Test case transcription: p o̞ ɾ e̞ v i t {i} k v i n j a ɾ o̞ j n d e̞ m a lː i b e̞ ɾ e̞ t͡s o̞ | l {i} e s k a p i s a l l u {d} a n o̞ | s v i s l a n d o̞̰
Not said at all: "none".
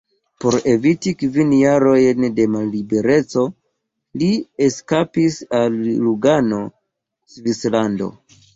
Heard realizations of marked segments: i, i, ɡ

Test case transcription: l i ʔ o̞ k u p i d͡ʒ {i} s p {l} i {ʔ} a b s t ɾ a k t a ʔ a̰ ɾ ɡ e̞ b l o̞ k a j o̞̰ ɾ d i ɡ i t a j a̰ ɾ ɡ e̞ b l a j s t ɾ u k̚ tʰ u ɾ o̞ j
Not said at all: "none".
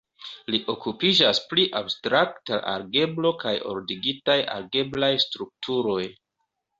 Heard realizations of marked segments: a, l, ʔ

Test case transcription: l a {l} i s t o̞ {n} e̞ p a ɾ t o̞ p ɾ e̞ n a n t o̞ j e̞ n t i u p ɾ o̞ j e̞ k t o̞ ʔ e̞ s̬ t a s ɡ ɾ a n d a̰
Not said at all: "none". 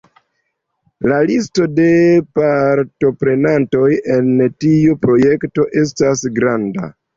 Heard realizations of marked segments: l, d

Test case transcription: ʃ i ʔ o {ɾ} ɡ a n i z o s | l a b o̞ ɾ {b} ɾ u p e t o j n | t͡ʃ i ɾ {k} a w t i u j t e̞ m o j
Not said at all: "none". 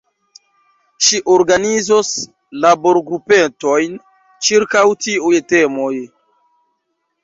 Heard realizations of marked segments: ɾ, ɡ, k

